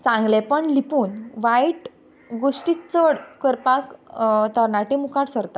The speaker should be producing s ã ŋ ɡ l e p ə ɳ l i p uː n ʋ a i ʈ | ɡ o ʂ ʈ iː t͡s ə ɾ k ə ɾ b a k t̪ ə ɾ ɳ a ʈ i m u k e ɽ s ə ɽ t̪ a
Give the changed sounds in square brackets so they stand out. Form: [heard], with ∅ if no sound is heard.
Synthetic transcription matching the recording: [t͡s] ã ŋ ɡ l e p ə ɳ l i p uː n ʋ a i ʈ | ɡ o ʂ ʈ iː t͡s ə [ɽ] k ə ɾ [p] a k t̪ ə ɾ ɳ a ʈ i m u k [a] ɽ s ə [ɾ] t̪ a